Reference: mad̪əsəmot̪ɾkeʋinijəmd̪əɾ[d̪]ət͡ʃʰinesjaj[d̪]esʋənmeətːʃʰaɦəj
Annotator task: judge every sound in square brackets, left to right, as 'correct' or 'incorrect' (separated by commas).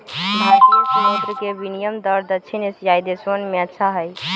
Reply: correct, correct